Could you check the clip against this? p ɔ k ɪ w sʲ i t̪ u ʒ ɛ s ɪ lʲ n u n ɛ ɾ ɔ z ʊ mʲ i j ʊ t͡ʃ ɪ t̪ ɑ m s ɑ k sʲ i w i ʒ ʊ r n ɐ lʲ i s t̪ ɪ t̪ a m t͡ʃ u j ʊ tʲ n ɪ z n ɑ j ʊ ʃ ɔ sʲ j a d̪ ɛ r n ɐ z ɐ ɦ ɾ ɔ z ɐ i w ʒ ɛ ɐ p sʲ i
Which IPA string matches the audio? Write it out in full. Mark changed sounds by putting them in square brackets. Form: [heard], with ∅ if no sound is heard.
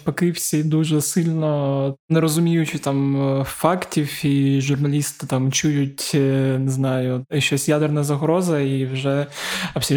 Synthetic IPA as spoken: p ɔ k ɪ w sʲ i [d̪] u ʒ ɛ s ɪ lʲ n [ɔ] n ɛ ɾ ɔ z ʊ mʲ i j ʊ t͡ʃ ɪ t̪ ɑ m [f] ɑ k [tʲ] i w i ʒ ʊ r n ɐ lʲ i s t̪ ɪ t̪ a m t͡ʃ u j ʊ tʲ n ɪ z n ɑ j ʊ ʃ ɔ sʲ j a d̪ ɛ r n ɐ z ɐ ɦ ɾ ɔ z ɐ i w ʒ ɛ ɐ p sʲ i